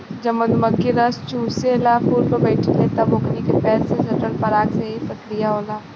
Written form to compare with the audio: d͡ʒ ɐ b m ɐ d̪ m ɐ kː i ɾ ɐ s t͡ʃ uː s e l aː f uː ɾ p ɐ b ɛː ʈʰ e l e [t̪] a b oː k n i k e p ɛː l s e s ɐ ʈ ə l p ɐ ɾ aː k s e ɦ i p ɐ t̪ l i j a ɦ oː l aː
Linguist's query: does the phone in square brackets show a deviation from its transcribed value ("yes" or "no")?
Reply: no